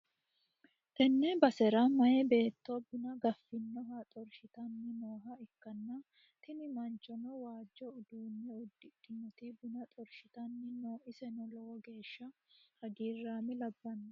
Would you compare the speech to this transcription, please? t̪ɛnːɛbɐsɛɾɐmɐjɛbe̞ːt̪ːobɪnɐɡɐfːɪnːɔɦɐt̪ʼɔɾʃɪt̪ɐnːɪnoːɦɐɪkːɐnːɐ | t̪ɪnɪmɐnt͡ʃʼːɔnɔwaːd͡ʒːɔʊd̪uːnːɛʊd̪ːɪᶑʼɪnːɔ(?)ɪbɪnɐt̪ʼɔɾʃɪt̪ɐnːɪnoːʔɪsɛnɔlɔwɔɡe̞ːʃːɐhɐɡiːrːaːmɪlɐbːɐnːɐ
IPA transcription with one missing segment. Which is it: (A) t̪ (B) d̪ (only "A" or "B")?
A